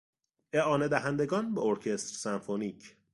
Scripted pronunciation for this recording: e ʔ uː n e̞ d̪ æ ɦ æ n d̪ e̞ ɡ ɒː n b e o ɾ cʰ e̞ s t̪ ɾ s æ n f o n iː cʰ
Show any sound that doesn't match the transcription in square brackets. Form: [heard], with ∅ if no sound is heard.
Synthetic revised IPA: e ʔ [ɒː] n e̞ d̪ æ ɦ æ n d̪ e̞ ɡ ɒː n b e o ɾ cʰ e̞ s t̪ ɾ s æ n f o n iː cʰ